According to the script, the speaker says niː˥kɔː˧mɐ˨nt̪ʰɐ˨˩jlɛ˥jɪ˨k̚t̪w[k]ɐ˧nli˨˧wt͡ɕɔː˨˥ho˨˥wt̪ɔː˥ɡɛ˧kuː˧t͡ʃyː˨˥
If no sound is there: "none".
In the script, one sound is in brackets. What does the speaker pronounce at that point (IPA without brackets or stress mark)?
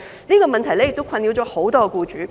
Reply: kʰ